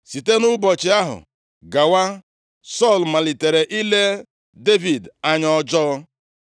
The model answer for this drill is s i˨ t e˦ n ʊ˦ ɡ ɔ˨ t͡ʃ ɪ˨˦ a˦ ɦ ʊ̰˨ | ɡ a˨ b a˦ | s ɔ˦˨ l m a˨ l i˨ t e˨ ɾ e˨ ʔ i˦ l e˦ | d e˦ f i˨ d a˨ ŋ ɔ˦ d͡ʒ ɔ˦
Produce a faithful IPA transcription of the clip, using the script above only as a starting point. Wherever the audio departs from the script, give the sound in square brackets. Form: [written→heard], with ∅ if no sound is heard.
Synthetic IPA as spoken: s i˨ t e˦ n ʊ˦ [ɡ→b] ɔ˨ t͡ʃ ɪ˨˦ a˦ ɦ ʊ̰˨ | ɡ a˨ [b→w] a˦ | s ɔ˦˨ l m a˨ l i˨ t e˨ ɾ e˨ ʔ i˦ l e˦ | d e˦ [f→v] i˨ d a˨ [ŋ→ɲ] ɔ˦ d͡ʒ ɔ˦